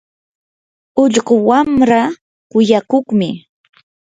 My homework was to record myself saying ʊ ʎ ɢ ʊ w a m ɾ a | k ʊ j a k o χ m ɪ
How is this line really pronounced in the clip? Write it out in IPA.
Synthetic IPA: ʊ ʎ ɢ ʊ w a m ɾ a | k ʊ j a k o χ m ɪ

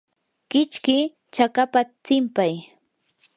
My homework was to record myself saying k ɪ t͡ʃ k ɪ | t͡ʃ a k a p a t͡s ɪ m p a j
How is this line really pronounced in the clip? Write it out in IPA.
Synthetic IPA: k ɪ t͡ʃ k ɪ | t͡ʃ a k a p a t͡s ɪ m p a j

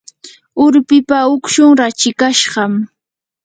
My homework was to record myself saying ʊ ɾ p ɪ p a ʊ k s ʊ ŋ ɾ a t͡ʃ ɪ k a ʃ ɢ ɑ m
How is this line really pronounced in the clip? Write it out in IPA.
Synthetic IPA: ʊ ɾ p ɪ p a ʊ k ʃ ʊ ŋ ɾ a t͡ʃ ɪ k a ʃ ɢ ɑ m

